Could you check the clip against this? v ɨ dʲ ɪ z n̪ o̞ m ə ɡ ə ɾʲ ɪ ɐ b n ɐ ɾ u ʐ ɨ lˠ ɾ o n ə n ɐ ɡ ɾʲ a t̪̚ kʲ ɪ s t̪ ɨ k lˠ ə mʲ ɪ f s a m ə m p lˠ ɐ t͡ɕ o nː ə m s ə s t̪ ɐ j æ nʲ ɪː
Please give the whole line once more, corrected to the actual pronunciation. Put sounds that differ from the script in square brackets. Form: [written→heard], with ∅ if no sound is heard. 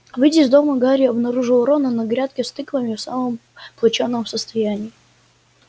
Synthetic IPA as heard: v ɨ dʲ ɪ z [n̪→d̪] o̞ m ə ɡ [ə→a] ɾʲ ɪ ɐ b n ɐ ɾ u ʐ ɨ lˠ ɾ o n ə n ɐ ɡ ɾʲ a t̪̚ kʲ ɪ s t̪ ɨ k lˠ ə mʲ ɪ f s a m ə m p lˠ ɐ t͡ɕ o nː ə m s ə s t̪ ɐ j æ nʲ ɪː